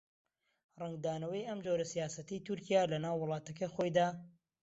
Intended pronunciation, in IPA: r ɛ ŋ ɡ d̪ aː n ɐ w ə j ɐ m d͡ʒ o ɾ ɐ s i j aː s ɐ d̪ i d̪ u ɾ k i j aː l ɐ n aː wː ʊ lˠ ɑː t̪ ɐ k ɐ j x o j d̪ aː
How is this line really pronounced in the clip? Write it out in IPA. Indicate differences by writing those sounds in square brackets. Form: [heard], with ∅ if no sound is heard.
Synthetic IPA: r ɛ ŋ ɡ d̪ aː n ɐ w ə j ɐ m d͡ʒ o ɾ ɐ s i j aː s ɐ [t̪] i [t̪] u ɾ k i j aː l ɐ n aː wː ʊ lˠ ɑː t̪ ɐ k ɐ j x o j d̪ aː